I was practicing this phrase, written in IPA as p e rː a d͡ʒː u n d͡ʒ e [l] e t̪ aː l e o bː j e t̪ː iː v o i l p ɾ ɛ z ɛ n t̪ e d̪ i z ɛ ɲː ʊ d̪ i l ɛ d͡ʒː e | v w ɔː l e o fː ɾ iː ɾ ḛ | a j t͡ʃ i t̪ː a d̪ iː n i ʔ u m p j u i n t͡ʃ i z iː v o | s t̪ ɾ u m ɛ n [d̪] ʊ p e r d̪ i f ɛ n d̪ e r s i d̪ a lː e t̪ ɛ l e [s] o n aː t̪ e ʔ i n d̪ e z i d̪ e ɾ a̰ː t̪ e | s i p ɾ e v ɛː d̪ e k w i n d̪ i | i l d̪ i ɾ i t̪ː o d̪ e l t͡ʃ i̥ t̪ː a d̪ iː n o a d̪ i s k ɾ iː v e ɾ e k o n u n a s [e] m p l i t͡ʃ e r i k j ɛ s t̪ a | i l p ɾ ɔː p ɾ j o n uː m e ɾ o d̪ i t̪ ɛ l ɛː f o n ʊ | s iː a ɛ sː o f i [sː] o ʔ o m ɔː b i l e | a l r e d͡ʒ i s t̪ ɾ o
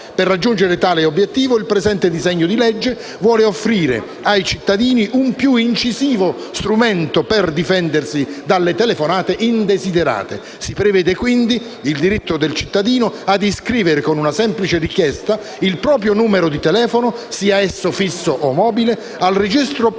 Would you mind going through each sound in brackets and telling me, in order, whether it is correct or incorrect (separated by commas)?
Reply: incorrect, incorrect, incorrect, incorrect, correct